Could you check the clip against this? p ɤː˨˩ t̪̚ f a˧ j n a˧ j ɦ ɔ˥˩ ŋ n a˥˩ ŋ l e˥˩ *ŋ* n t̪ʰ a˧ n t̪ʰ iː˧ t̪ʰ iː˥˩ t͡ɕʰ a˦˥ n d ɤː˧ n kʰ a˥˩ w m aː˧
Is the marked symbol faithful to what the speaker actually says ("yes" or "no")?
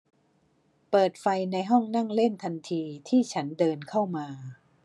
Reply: no